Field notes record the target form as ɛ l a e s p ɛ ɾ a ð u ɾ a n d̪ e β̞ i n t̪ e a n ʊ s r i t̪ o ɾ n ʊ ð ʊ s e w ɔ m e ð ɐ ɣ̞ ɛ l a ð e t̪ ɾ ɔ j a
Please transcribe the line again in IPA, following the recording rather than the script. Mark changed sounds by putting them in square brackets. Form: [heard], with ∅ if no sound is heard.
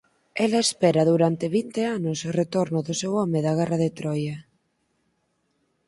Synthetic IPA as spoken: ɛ l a e s p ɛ ɾ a ð u ɾ a n [t̪] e β̞ i n t̪ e a n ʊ s r [e] t̪ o ɾ n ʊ ð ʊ s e w ɔ m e ð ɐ ɣ̞ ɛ [r] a ð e t̪ ɾ ɔ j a